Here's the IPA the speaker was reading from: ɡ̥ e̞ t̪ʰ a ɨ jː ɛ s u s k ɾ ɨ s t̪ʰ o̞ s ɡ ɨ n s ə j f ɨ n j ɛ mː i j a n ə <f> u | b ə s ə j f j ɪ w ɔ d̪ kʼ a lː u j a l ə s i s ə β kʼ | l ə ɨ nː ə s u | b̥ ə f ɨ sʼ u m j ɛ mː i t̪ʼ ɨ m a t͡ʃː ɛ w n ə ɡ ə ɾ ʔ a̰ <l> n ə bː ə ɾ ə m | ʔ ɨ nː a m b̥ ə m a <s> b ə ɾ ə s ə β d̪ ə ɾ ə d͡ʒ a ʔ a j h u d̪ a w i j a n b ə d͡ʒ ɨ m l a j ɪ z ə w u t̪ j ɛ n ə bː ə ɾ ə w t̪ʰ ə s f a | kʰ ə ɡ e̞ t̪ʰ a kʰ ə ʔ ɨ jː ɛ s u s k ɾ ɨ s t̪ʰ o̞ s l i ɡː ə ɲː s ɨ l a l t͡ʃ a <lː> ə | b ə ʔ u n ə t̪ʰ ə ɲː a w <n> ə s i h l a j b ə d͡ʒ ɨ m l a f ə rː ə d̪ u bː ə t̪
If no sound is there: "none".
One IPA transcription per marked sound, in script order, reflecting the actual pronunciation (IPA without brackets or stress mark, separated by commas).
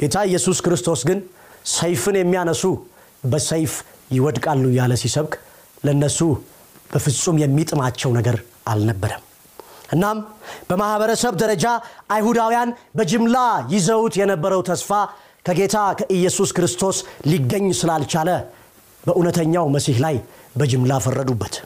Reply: s, l, h, l, m